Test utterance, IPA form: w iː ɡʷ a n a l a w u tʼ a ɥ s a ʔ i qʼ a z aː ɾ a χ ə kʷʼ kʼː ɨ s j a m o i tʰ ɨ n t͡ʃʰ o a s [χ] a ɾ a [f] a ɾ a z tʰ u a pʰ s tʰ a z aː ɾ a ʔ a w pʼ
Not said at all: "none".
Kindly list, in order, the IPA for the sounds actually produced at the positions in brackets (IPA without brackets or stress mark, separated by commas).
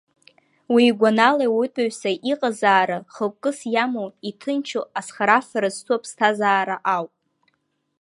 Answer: χ, f